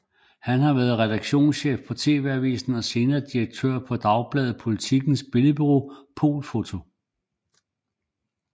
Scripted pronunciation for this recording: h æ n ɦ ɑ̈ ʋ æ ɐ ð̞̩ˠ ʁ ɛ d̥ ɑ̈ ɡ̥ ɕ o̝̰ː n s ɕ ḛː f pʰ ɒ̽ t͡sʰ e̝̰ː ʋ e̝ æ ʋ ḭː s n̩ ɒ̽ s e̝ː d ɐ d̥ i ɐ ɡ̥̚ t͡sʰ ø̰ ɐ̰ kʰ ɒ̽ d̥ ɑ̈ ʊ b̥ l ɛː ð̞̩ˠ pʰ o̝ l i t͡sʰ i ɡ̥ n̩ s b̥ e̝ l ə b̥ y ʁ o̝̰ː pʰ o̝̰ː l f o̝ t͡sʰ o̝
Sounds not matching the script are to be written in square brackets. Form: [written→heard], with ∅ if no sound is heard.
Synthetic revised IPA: h æ n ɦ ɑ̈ ʋ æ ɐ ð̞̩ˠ ʁ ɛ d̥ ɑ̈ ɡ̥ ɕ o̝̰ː n s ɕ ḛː f pʰ ɒ̽ t͡sʰ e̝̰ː ʋ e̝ æ ʋ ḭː s n̩ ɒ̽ s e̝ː [d→n] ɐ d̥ i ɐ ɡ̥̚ t͡sʰ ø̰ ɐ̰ [kʰ→pʰ] ɒ̽ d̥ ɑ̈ ʊ b̥ l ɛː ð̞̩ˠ pʰ o̝ l i t͡sʰ i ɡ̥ n̩ s b̥ e̝ l ə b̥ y ʁ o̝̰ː pʰ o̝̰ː l f o̝ t͡sʰ o̝